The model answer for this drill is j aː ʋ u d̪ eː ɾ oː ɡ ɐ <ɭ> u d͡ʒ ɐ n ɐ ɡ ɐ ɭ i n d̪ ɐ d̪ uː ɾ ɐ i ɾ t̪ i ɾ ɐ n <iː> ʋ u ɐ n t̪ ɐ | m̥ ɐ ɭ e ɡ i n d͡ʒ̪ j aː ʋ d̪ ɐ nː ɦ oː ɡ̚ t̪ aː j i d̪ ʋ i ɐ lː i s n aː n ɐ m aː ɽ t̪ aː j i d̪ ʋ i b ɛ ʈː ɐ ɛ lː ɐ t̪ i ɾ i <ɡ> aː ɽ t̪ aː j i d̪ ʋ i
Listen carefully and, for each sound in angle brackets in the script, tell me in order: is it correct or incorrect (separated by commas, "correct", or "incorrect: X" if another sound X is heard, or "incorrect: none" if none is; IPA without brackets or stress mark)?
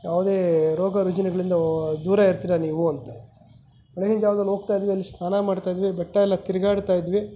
incorrect: ɾ, correct, correct